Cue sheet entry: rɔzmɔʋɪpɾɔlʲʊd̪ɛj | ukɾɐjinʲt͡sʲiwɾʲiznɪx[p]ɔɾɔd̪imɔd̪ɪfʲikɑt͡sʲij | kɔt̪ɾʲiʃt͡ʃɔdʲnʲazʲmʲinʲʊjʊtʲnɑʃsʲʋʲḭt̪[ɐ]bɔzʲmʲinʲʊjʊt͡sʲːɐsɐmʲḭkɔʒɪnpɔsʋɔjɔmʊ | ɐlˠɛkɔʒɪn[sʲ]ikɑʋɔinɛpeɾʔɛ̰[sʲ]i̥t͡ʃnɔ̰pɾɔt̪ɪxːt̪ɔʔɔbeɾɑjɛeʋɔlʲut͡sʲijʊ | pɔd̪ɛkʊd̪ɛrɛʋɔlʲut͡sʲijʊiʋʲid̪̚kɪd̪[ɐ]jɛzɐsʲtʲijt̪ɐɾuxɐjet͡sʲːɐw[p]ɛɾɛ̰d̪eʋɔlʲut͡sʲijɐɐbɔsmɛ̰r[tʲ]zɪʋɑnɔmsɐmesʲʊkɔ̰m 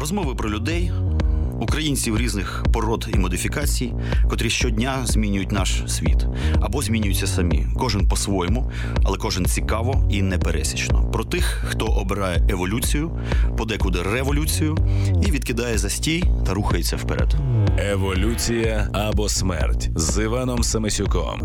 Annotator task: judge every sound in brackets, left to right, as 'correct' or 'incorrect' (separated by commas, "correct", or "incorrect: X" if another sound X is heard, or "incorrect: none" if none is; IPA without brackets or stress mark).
correct, correct, incorrect: t͡sʲ, correct, incorrect: ɑ, correct, correct